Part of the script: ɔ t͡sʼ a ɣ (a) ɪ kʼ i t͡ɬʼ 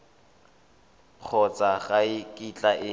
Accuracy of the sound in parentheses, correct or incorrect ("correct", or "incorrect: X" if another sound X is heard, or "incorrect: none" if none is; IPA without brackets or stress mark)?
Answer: correct